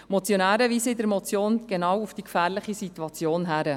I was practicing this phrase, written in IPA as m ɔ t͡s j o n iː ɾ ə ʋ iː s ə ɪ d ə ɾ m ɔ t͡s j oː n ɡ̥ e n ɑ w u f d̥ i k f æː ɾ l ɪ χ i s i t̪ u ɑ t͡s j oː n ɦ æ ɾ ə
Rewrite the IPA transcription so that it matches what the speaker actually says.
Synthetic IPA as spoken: m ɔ t͡s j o n æː ɾ ə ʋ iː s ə ɪ d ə ɾ m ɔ t͡s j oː n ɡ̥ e n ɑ w u f d̥ i k f æː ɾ l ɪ χ i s i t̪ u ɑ t͡s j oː n ɦ æ ɾ ə